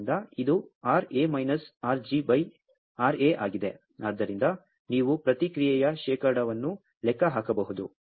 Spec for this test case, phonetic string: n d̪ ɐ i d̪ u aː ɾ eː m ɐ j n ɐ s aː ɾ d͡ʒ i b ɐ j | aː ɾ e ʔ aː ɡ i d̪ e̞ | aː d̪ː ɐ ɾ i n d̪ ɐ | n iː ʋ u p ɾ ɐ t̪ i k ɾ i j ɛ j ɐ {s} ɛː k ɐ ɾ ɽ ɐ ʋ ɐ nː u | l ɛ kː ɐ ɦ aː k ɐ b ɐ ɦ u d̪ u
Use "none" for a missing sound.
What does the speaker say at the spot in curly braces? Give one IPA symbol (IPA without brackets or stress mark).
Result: ʃ